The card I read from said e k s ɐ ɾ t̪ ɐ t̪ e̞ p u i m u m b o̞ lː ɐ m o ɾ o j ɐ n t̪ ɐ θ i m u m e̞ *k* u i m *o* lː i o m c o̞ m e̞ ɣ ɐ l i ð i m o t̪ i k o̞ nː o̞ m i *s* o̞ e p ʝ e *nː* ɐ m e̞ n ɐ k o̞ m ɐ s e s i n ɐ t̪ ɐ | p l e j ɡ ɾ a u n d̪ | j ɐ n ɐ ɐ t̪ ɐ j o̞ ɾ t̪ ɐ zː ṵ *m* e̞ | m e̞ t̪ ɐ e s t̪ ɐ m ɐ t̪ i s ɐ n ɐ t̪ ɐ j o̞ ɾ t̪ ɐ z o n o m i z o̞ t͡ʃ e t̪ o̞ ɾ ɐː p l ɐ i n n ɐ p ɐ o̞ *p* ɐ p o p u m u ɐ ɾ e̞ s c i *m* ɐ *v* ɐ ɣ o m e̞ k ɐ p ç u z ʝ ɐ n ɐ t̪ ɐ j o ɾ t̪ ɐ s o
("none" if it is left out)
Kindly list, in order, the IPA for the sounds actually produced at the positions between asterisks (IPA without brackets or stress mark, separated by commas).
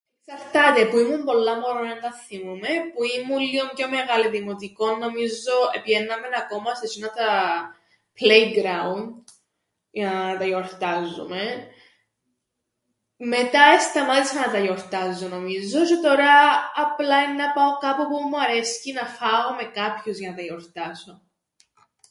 p, u, z, nː, m, k, n, f